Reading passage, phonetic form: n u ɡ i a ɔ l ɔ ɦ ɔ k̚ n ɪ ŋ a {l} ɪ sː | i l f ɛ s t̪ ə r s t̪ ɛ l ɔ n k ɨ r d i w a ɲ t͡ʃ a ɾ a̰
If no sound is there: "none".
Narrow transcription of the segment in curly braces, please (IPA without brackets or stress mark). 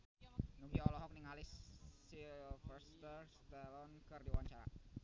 l